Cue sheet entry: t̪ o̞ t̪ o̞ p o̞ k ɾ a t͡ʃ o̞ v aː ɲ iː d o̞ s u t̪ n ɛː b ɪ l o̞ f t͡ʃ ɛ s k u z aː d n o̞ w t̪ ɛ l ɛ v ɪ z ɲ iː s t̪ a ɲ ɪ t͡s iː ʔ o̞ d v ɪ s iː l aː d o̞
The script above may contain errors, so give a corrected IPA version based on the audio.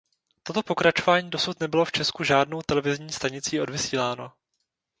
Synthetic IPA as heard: t̪ o̞ t̪ o̞ p o̞ k ɾ a t͡ʃ o̞ v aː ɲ iː d o̞ s u t̪ n ɛ b ɪ l o̞ f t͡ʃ ɛ s k u ʒ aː d n o̞ w t̪ ɛ l ɛ v ɪ z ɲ iː s t̪ a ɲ ɪ t͡s iː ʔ o̞ d v ɪ s iː l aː n o̞